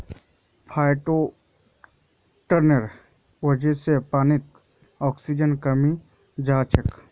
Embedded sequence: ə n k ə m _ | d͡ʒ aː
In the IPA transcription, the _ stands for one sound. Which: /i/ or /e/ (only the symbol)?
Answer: i